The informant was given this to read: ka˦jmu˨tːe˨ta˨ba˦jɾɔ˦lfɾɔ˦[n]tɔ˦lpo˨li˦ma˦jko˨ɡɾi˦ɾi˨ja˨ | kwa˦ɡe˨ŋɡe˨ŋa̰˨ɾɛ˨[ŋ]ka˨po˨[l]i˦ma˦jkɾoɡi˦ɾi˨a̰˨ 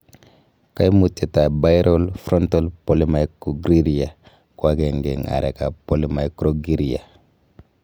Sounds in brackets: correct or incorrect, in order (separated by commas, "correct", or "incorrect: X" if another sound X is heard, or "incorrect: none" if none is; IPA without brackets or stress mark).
correct, incorrect: none, correct